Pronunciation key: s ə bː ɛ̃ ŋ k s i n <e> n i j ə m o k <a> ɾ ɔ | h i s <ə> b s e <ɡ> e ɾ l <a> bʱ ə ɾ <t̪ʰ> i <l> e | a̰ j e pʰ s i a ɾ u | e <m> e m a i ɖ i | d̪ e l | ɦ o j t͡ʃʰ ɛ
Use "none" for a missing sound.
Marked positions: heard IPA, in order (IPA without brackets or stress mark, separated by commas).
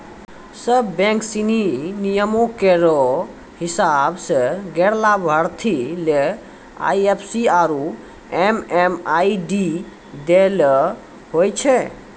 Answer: i, e, a, ɡ, a, t̪ʰ, l, m